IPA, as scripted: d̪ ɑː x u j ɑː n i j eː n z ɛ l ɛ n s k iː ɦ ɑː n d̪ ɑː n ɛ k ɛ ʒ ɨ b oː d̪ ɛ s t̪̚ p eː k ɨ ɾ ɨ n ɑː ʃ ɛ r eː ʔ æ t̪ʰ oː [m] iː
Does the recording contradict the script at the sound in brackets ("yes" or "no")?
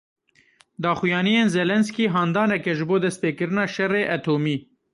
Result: no